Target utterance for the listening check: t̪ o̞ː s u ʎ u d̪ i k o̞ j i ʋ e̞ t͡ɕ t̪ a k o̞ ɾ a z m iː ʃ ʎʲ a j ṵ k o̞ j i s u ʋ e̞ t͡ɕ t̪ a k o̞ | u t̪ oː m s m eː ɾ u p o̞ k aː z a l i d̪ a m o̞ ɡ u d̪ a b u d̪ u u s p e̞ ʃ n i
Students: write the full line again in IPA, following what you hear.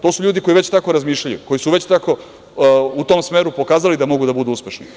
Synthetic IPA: t̪ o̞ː s u ʎ uː d̪ i k o̞ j i ʋ e̞ t͡ɕ t̪ a k o̞ ɾ a z m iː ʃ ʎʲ a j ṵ k o̞ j i s u ʋ e̞ t͡ɕ t̪ a k o̞ | u t̪ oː m s m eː ɾ u p o̞ k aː z a l i d̪ a m o̞ ɡ u d̪ a b u d̪ u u s p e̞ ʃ n i